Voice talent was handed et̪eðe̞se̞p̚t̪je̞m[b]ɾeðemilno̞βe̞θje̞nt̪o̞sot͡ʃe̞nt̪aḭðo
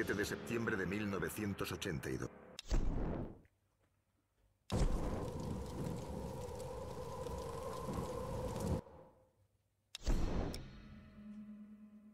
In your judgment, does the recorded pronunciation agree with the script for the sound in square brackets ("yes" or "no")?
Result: yes